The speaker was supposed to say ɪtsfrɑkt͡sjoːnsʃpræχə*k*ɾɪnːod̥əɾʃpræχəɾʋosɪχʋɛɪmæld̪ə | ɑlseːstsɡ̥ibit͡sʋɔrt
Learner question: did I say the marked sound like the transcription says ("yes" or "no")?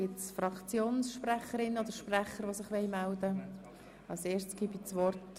no